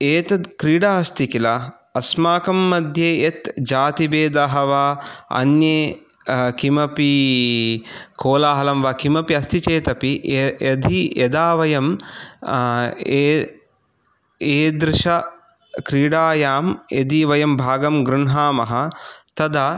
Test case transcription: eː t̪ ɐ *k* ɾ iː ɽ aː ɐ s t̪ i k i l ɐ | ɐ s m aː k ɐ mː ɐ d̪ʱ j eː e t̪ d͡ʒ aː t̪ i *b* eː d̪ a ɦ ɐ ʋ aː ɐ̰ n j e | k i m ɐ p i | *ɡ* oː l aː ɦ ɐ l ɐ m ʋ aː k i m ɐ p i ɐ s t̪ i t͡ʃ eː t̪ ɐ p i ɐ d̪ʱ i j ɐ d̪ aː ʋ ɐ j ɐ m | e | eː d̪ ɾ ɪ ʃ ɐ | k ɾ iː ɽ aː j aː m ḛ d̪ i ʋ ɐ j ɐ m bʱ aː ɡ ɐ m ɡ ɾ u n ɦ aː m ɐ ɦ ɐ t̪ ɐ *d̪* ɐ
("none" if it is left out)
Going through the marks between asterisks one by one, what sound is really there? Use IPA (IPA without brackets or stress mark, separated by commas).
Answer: k, b, k, d̪